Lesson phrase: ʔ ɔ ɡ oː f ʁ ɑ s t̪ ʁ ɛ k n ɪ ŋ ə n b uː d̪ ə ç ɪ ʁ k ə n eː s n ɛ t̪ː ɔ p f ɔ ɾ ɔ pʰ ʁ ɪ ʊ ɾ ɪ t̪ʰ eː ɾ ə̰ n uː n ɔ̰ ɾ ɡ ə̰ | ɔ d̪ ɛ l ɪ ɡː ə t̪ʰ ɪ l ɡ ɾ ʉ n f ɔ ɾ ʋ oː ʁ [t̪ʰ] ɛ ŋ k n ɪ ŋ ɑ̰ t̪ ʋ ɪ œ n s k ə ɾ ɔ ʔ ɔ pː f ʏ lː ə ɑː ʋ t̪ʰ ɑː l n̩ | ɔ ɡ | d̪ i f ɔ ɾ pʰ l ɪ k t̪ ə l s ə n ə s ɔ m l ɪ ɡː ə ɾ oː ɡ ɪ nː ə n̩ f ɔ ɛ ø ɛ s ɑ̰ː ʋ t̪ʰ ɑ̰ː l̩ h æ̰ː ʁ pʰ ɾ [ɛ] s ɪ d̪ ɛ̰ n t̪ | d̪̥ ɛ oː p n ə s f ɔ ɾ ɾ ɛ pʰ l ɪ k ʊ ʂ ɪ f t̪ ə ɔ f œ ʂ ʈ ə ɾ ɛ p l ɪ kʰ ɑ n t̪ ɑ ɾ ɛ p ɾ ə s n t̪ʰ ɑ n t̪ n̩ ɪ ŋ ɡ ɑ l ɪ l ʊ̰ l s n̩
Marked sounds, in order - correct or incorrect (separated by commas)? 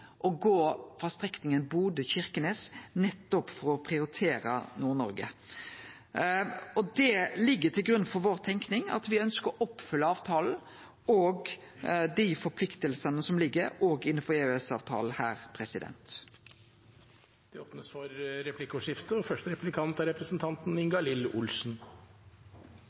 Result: correct, correct